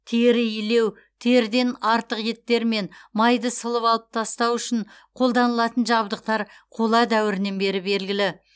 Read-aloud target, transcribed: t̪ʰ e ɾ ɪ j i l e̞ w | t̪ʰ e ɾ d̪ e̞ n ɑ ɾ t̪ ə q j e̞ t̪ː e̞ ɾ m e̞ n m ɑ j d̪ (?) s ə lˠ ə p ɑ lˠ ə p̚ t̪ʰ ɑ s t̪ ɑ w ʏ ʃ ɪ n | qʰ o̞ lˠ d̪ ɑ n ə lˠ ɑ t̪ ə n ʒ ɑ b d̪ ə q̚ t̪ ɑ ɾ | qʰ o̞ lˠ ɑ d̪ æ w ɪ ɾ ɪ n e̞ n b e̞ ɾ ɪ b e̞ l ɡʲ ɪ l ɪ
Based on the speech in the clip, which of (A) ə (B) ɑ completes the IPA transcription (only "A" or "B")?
A